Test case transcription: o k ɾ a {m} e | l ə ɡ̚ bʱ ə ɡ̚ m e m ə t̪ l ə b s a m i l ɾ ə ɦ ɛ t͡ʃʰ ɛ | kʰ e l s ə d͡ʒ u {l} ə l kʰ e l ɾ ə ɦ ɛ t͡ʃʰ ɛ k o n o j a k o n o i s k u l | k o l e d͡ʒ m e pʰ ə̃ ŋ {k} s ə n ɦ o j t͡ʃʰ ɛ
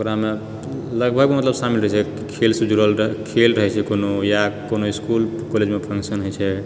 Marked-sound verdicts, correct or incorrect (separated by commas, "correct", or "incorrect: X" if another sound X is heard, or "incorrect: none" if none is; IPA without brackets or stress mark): correct, incorrect: ɾ, correct